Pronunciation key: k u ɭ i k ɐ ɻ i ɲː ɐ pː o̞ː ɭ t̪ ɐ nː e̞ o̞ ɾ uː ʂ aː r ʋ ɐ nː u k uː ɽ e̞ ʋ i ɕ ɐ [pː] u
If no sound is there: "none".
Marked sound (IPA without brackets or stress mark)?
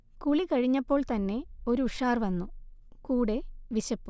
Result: pː